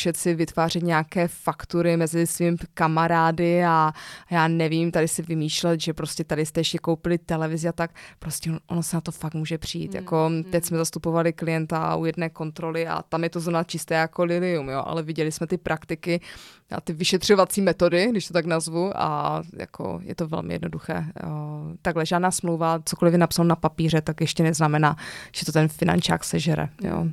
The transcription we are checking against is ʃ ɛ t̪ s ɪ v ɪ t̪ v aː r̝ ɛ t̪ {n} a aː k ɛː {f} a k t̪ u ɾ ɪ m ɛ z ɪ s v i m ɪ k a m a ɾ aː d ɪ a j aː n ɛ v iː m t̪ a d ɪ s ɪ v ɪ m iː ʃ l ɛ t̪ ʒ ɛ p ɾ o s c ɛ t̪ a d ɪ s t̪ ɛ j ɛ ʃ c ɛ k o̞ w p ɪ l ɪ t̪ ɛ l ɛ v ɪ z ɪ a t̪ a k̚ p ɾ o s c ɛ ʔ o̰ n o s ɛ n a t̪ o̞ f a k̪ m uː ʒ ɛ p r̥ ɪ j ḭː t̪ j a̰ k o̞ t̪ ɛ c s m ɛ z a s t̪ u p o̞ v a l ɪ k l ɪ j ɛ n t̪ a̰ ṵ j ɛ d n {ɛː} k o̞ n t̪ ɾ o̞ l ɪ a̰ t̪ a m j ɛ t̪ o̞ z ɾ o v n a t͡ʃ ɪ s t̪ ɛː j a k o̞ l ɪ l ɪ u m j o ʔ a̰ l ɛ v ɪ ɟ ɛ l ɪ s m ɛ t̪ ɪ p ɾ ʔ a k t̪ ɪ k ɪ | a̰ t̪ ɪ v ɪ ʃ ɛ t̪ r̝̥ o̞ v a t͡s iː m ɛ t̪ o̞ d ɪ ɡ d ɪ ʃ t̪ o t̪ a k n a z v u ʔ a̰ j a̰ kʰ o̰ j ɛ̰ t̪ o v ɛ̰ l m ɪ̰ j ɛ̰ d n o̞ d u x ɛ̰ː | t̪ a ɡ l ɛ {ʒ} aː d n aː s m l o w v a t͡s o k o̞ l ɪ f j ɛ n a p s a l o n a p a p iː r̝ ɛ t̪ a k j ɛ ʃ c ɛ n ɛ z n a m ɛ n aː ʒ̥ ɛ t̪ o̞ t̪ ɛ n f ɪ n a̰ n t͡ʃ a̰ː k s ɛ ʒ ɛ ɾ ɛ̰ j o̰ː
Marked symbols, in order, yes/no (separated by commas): no, yes, yes, yes